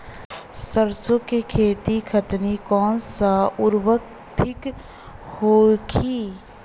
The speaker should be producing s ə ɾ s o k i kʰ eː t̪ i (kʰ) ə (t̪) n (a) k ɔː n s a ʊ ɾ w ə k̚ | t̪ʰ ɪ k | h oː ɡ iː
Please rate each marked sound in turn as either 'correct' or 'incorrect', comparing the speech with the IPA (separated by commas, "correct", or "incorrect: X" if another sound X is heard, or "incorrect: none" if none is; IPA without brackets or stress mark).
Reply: correct, correct, incorrect: i